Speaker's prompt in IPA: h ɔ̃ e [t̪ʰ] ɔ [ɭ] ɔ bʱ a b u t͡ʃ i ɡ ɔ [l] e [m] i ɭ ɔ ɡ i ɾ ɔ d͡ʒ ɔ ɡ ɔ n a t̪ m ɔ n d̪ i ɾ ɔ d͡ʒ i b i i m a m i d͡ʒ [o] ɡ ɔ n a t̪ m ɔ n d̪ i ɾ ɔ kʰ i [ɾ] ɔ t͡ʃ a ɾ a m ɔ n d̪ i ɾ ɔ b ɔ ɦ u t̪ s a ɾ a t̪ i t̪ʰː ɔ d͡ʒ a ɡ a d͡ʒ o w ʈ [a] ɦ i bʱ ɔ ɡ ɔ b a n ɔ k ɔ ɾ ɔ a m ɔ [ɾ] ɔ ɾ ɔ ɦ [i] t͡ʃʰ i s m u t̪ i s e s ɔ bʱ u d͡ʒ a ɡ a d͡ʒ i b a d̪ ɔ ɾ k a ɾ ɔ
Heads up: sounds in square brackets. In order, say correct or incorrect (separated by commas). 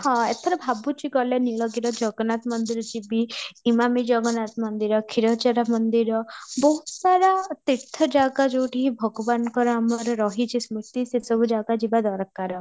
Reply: correct, incorrect, correct, incorrect, incorrect, correct, incorrect, correct, correct